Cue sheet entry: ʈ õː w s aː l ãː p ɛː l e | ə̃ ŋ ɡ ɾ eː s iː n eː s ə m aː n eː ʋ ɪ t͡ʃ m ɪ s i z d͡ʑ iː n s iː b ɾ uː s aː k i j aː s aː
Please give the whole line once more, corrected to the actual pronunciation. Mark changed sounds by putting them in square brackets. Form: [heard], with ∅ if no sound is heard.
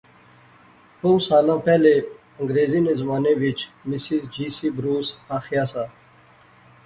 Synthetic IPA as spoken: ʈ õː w s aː l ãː p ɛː l e | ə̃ ŋ ɡ ɾ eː [z] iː n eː [z] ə m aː n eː ʋ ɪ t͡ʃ m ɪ s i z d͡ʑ iː [∅] s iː b ɾ uː s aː [x] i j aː s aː